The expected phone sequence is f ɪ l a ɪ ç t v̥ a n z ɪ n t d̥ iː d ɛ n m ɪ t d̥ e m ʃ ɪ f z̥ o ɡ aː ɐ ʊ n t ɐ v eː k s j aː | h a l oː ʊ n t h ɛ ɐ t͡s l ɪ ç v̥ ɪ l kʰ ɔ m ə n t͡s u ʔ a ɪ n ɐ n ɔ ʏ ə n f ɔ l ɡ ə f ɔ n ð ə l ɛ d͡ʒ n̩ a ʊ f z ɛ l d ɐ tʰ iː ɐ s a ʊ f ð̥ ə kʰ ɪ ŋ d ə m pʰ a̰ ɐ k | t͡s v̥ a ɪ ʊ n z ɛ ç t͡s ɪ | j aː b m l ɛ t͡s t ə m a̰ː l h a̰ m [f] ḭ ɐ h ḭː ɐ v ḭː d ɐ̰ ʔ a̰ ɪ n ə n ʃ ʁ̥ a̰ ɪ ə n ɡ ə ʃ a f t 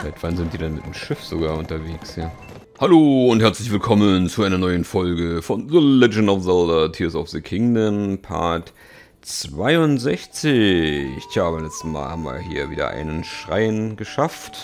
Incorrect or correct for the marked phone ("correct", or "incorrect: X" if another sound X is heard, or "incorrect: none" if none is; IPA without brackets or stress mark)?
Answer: incorrect: v